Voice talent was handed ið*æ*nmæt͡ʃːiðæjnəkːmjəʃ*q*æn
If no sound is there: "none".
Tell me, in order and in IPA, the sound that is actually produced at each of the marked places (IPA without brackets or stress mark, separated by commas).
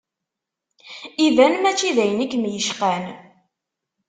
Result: æ, q